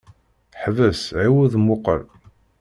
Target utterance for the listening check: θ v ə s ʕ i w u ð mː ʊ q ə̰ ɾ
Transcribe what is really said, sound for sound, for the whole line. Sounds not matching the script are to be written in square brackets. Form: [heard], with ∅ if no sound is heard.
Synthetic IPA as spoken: [ħ] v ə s ʕ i w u ð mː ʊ q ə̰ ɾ